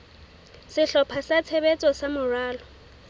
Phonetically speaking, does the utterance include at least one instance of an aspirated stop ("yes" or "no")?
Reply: yes